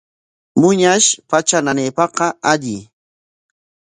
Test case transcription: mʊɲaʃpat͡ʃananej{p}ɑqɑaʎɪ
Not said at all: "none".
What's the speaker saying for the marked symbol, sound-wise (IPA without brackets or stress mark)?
p